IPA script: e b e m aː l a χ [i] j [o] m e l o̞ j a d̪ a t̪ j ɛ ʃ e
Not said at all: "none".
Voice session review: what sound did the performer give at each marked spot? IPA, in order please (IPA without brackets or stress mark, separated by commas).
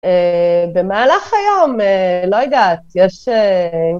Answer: a, o